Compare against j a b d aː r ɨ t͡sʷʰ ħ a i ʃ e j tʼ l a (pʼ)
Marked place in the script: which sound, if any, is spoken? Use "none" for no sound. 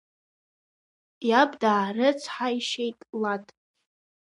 tʼ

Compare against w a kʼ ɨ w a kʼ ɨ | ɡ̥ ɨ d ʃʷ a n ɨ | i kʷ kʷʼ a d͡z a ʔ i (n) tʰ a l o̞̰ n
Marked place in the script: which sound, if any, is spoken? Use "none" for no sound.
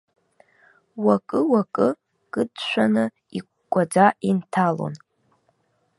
n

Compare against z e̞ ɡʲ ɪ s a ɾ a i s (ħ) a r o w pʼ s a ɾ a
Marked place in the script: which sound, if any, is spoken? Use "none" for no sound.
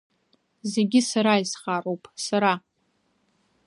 χ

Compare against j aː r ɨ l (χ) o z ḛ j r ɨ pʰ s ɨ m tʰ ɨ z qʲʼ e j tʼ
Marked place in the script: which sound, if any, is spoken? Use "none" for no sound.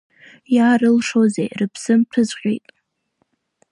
ʂ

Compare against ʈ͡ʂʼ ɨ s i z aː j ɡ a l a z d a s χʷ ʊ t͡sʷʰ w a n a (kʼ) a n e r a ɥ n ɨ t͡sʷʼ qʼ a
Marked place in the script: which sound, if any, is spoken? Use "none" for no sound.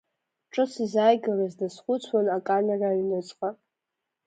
kʼ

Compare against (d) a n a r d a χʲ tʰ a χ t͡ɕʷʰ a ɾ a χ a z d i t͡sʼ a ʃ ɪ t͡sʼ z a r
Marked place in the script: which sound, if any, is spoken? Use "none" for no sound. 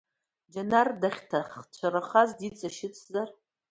d͡ʒ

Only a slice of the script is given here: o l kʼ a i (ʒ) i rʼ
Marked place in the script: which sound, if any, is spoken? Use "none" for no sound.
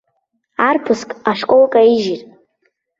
ʒ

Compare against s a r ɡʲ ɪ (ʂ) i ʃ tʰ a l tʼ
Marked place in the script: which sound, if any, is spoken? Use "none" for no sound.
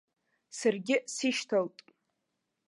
s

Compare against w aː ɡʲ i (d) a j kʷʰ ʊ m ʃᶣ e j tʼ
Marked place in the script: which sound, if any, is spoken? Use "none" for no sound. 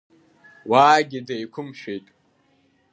d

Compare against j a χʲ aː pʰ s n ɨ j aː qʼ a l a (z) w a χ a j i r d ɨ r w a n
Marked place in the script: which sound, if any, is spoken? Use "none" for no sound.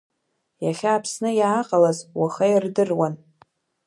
z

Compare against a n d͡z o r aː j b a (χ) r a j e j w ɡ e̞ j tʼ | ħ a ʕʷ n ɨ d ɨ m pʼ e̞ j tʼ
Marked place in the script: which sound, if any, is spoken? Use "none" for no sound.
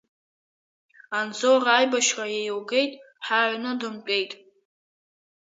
ʃ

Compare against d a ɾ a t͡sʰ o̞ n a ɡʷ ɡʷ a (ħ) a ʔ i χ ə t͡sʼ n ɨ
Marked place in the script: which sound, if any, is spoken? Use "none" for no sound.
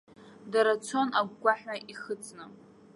ħ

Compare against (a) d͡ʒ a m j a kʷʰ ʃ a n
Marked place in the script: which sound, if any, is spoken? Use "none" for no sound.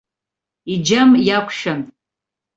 i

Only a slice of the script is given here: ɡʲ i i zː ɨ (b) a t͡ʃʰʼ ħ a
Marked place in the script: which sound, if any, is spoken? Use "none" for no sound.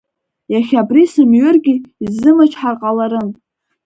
m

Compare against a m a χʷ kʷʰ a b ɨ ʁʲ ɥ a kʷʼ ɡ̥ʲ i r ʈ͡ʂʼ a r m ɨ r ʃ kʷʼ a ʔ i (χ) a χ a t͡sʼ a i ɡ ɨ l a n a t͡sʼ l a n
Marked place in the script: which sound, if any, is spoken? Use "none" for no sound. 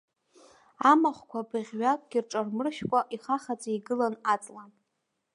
χ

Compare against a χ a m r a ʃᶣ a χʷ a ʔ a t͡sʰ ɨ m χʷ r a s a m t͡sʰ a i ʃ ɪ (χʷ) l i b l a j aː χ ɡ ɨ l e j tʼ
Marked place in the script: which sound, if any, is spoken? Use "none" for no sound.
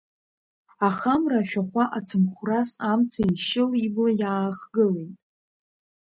none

